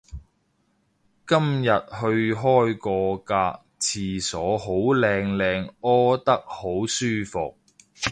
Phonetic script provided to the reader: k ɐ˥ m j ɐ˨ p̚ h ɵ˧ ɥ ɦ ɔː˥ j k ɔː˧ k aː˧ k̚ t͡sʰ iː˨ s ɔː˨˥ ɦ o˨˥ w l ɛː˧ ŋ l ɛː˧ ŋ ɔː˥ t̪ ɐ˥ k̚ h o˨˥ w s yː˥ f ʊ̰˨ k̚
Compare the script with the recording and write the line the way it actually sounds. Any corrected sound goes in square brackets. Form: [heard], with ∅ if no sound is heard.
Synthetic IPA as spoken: k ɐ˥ m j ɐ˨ [t̚] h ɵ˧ ɥ ɦ ɔː˥ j k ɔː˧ k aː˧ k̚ t͡sʰ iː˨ s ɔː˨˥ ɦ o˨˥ w l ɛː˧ ŋ l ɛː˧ ŋ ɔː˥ t̪ ɐ˥ k̚ h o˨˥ w s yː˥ f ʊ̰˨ k̚